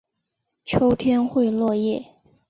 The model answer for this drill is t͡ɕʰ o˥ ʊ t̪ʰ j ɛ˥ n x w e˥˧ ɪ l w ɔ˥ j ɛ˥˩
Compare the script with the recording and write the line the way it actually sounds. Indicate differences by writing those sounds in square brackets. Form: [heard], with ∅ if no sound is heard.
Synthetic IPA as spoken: t͡ɕʰ o˥ ʊ t̪ʰ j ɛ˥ n x w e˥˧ ɪ l w [ɔ˥˧] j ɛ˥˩